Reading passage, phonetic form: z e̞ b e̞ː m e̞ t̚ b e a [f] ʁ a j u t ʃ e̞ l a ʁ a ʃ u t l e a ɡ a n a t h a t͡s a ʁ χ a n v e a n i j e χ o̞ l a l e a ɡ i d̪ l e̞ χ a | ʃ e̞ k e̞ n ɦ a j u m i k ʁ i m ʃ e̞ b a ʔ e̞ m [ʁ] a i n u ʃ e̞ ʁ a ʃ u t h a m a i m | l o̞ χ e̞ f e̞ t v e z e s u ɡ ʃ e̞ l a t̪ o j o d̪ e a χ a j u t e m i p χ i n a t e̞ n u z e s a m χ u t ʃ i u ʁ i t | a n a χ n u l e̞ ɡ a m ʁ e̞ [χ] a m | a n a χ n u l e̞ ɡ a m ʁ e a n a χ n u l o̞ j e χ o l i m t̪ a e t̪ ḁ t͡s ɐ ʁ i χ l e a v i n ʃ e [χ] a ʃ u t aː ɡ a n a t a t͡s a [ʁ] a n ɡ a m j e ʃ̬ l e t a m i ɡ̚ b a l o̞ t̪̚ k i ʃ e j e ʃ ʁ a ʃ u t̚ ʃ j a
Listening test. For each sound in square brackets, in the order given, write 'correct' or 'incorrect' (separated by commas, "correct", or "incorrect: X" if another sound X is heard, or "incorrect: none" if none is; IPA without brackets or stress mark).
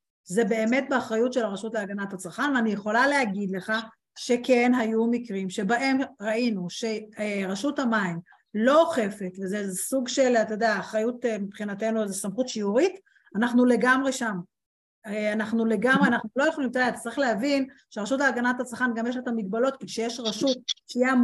incorrect: χ, correct, incorrect: ʃ, incorrect: ʁ, incorrect: χ